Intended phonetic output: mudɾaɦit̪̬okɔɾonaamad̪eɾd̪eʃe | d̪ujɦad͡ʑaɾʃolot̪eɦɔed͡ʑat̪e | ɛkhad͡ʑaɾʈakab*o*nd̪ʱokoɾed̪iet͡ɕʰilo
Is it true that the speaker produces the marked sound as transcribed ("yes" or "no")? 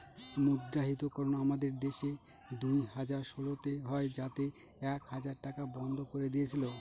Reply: no